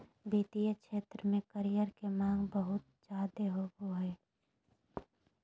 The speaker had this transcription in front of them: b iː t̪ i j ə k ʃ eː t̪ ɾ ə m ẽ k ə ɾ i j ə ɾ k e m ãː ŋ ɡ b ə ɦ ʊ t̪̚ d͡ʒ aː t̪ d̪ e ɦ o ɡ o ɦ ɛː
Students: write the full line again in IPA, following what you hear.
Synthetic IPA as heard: b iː t̪ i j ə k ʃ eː t̪ ɾ ə m ẽ k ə ɾ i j ə ɾ k e m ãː ŋ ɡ b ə ɦ ʊ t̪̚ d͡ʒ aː d̪ e ɦ o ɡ o ɦ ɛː